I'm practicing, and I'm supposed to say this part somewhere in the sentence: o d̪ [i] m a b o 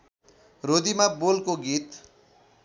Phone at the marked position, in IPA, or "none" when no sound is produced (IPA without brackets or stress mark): i